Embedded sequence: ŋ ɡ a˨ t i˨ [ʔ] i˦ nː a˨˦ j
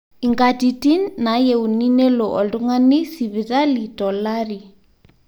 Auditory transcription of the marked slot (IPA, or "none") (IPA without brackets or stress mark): t